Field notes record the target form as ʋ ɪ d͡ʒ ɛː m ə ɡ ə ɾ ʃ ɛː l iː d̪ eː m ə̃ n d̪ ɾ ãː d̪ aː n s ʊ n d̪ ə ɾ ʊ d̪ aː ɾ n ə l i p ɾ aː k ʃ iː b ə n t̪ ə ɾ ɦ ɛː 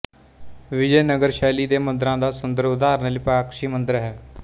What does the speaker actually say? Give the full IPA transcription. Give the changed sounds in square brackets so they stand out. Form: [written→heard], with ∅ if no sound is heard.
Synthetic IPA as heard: ʋ ɪ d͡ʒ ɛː [m→n] ə ɡ ə ɾ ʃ ɛː l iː d̪ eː m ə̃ n d̪ ɾ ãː d̪ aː [n→∅] s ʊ n d̪ ə ɾ ʊ d̪ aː ɾ n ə l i p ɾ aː k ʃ iː [b→m] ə n [t̪→d̪] ə ɾ ɦ ɛː